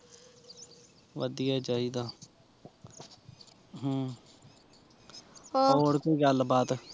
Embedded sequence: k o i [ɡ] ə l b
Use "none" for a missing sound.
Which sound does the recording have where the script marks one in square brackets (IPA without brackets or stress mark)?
ɡ